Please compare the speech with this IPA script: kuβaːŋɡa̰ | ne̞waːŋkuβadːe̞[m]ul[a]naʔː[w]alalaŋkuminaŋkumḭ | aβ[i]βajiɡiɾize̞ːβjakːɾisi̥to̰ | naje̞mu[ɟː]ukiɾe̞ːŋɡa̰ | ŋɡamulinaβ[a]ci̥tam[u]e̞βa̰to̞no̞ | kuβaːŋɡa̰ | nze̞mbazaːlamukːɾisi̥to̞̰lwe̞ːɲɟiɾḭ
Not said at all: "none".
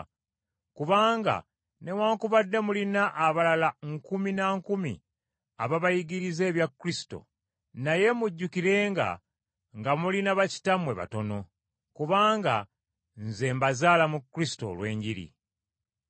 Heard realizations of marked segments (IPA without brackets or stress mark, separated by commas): m, i, β, a, ɟː, a, w